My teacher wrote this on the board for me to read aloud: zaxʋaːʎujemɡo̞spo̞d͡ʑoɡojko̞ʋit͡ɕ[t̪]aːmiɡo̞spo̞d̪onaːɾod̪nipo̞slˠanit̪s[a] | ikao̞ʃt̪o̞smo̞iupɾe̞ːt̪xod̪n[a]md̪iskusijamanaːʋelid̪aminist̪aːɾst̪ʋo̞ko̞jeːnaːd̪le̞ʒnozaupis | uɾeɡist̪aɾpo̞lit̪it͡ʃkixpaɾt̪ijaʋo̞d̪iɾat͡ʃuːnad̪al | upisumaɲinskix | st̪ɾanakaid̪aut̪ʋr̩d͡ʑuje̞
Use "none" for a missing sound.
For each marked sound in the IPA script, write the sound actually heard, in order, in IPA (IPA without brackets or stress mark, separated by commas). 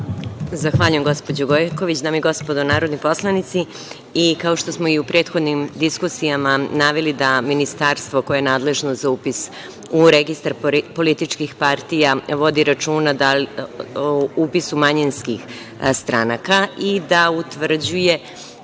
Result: d̪, i, i